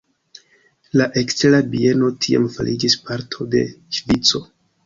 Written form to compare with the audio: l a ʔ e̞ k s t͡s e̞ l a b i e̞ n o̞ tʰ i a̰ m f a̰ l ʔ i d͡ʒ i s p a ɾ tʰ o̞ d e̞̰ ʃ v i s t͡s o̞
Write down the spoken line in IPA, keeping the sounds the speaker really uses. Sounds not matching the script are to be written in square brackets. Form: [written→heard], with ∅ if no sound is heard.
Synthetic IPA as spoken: l a ʔ e̞ k s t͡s e̞ l a b i e̞ n o̞ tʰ i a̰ m f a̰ l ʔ i d͡ʒ i s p a ɾ tʰ o̞ d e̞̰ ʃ v i [s→∅] t͡s o̞